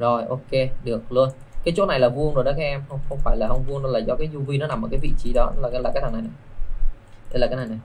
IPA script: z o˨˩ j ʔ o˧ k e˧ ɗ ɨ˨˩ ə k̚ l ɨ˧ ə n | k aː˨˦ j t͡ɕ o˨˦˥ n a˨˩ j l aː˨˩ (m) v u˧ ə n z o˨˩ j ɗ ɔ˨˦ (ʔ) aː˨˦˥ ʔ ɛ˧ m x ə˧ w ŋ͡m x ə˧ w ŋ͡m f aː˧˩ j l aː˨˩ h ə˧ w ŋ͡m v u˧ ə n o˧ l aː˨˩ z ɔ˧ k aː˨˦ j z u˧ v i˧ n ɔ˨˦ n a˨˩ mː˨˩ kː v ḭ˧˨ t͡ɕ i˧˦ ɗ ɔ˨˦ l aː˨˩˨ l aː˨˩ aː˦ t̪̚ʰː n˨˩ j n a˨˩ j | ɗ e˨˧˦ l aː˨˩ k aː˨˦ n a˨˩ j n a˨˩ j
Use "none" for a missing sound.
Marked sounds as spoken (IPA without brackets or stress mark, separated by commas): none, k